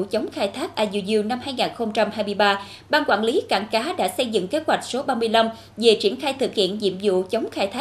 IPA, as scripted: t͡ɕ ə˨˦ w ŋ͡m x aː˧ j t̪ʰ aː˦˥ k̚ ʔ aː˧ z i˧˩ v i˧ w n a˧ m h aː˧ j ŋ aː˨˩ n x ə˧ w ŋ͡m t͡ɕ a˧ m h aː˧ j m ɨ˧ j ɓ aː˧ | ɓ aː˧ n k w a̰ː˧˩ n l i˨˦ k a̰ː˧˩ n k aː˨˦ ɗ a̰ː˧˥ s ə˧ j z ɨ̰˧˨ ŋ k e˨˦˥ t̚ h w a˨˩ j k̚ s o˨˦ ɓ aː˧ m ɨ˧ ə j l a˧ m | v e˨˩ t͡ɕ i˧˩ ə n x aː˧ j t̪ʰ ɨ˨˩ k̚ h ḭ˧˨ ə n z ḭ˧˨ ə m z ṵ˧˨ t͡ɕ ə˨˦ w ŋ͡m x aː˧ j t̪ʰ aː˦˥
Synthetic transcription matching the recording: t͡ɕ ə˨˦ w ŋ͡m x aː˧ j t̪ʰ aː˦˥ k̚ ʔ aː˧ z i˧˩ z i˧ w n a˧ m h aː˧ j ŋ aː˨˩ n x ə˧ w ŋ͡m t͡ɕ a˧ m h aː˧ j m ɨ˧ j ɓ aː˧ | ɓ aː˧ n k w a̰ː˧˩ n l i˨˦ k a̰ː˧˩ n k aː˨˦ ɗ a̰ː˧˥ s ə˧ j z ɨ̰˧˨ ŋ k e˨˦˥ t̚ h w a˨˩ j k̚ s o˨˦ ɓ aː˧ m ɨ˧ ə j l a˧ m | v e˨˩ t͡ɕ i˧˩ ə n x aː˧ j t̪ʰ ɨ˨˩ k̚ h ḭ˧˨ ə n z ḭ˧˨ ə m z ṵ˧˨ t͡ɕ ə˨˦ w ŋ͡m x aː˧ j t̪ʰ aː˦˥